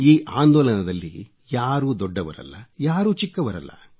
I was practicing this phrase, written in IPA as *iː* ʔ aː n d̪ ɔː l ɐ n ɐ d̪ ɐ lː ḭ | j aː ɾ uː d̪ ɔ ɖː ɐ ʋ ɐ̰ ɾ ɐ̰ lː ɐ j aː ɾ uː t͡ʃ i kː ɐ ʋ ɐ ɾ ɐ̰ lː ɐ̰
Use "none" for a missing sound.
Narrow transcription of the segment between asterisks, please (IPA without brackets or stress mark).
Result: iː